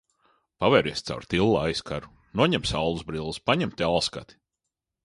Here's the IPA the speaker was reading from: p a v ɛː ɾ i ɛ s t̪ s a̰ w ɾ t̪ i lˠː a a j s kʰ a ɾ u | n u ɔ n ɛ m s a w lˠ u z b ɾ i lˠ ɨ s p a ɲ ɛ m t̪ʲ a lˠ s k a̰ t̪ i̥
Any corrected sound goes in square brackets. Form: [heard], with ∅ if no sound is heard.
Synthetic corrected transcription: p a v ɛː ɾ i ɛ s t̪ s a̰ w ɾ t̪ i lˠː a a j s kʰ a ɾ u | n u ɔ [ɲ] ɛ m s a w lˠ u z b ɾ i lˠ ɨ s p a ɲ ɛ m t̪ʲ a lˠ s k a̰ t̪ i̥